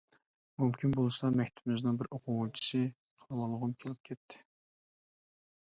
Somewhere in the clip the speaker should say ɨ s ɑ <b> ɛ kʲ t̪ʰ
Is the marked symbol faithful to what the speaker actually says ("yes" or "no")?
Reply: no